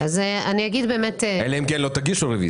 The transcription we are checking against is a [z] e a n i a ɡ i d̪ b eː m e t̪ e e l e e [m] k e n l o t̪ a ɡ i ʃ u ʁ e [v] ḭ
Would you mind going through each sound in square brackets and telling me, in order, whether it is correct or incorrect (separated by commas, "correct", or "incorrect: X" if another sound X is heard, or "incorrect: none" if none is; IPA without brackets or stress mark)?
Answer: correct, correct, correct